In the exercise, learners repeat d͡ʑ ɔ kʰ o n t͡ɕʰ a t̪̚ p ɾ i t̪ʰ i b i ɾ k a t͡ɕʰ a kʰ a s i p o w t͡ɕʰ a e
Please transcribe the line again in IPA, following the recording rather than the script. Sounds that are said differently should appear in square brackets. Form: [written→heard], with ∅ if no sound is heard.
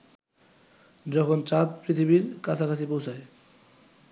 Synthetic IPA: d͡ʑ ɔ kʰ o n [t͡ɕʰ→t͡ɕ] a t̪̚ p ɾ i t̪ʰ i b i ɾ k a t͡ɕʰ a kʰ a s i p o w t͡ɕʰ a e